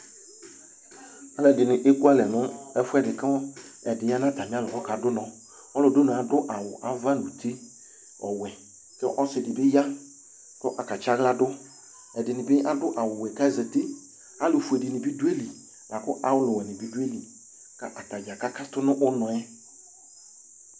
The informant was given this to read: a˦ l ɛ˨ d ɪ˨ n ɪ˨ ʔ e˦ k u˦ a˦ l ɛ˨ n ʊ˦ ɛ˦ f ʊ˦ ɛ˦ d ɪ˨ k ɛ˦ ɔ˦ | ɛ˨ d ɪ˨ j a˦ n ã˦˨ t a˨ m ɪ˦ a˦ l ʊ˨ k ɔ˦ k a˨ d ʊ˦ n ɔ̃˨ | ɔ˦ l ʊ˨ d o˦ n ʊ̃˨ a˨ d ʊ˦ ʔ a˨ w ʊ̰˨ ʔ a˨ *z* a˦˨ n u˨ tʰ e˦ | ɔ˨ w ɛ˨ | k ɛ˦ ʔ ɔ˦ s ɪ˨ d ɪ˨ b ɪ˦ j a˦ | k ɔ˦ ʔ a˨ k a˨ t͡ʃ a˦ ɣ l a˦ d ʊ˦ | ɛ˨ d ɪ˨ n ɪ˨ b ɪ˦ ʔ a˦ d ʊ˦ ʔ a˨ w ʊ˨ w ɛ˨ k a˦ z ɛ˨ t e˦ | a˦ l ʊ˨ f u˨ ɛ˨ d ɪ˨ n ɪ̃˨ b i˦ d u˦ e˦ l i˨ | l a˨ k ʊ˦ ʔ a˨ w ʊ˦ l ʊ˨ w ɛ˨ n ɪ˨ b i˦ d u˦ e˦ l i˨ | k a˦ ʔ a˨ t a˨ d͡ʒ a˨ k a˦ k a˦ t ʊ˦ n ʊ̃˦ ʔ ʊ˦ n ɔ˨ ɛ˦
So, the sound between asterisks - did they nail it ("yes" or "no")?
no